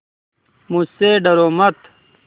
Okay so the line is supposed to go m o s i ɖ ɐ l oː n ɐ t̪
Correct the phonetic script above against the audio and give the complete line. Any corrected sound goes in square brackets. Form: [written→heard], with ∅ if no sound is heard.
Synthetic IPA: m [o→u] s [i→e] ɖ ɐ [l→ɾ] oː [n→m] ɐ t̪